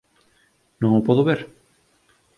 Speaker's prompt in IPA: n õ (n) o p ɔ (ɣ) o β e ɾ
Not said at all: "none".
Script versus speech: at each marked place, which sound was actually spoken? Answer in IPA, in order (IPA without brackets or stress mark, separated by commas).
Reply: ŋ, ð